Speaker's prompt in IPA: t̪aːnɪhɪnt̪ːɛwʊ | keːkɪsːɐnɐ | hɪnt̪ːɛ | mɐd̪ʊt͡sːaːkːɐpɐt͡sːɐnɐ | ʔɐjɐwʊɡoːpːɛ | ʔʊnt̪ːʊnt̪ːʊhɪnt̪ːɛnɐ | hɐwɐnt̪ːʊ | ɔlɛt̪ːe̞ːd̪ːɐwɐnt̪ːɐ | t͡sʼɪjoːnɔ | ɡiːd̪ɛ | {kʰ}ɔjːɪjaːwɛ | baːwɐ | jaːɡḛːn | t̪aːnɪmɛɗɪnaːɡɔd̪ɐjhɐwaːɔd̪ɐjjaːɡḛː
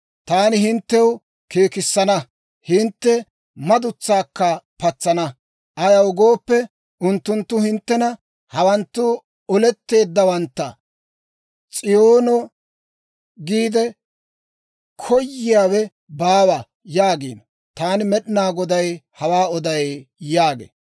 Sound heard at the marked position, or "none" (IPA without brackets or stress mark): kʰ